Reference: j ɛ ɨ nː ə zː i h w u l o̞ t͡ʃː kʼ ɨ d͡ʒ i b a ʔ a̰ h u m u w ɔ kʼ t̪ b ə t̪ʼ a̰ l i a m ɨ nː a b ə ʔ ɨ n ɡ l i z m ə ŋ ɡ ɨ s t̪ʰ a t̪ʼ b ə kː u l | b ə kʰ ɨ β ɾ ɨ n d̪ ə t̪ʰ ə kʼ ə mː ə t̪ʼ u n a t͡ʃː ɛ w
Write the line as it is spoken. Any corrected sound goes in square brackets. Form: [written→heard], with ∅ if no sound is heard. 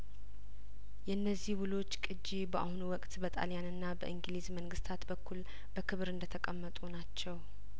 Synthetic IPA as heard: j ɛ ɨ nː ə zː i h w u l o̞ t͡ʃː kʼ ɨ d͡ʒ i b [a→ə] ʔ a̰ h u [m→n] u w ɔ kʼ t̪ b ə t̪ʼ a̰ l [i→j] a [m→n] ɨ nː a b ə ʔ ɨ [n→ŋ] ɡ l i z m ə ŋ ɡ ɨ s t̪ʰ a [t̪ʼ→t̪] b ə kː u l | b ə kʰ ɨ β ɾ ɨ n d̪ ə t̪ʰ ə kʼ ə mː ə t̪ʼ u n a t͡ʃː ɛ w